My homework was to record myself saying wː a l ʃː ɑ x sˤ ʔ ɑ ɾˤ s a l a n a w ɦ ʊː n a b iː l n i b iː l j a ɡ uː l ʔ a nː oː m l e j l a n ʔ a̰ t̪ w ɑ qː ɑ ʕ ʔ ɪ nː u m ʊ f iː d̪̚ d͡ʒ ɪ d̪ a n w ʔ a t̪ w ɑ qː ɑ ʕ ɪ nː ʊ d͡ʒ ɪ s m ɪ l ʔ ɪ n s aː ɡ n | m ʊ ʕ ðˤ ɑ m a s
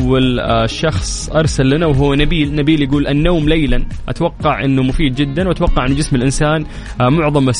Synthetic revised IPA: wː a l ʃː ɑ x sˤ ʔ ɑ ɾˤ s a lː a n a w ɦ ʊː n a b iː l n a b iː l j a ɡ uː l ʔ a nː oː m l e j l a n ʔ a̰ t̪ w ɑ qː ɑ ʕ ʔ ɪ nː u m ʊ f iː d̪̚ d͡ʒ ɪ d̪ː a n w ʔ a t̪ w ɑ qː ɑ ʕ ɪ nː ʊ d͡ʒ ɪ s m ɪ l ʔ ɪ n s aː n | m ʊ ʕ ðˤ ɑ m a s